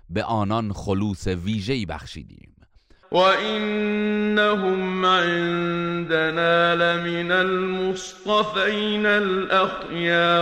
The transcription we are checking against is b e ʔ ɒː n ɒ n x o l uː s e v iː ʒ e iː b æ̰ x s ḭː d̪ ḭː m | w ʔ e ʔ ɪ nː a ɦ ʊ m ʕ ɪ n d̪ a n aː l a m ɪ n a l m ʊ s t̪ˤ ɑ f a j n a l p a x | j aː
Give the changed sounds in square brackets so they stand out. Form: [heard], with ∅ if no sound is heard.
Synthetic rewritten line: b e ʔ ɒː n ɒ n x o l uː s e v iː ʒ e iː b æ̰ x [ʃ] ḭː d̪ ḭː m | w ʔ [a] ʔ ɪ nː a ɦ ʊ m ʕ ɪ n d̪ a n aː l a m ɪ n a l m ʊ s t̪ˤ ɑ f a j n a l [ʔ] a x | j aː